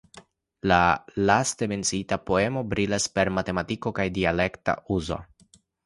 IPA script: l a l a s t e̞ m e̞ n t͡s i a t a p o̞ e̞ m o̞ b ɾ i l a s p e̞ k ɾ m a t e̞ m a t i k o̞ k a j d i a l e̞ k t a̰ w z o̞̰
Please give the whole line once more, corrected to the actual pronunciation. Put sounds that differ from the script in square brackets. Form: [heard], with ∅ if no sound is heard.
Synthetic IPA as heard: l a l a s t e̞ m e̞ n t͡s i [i] t a p o̞ e̞ m o̞ b ɾ i l a s p e̞ [∅] ɾ m a t e̞ m a t i k o̞ k a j d i a l e̞ k t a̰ [u] z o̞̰